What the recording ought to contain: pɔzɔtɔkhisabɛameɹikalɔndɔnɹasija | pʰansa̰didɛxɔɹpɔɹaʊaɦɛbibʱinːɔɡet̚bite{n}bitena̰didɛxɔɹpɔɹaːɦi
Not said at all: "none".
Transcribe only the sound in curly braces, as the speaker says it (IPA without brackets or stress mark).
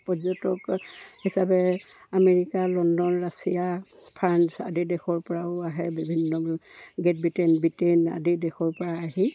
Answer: n